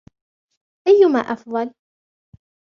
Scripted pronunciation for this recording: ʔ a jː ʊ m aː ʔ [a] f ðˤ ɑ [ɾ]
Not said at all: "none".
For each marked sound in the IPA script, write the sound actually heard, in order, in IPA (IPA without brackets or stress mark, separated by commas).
ɑ, l